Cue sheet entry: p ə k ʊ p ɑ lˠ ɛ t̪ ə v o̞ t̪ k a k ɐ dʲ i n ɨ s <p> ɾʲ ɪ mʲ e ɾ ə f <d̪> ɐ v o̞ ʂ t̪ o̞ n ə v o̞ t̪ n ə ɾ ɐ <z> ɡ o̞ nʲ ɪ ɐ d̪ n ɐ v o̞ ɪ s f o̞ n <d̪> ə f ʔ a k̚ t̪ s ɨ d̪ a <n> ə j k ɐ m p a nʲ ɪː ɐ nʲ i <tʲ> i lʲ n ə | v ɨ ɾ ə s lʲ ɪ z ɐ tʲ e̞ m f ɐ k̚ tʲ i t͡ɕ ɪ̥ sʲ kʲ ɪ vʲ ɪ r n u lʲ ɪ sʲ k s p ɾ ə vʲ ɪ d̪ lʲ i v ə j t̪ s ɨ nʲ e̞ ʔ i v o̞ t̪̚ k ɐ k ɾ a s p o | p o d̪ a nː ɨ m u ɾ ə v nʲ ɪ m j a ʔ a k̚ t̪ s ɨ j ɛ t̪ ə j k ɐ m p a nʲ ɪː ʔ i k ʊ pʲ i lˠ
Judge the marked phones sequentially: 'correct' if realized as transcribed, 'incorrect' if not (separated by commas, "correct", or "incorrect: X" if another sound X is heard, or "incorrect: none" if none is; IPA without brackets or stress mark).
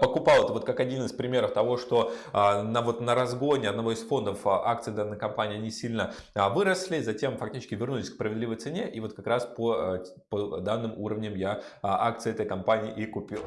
correct, incorrect: t̪, correct, correct, incorrect: nː, incorrect: sʲ